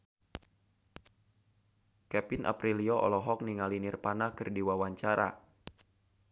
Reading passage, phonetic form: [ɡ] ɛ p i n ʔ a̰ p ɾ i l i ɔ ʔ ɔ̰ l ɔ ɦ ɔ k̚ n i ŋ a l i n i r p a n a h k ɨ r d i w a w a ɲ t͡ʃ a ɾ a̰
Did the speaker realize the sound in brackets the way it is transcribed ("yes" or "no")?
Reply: no